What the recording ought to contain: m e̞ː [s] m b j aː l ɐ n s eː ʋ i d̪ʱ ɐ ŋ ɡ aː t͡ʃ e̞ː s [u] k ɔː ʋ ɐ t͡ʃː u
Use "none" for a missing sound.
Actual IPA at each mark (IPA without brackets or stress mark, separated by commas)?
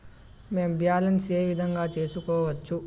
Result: none, u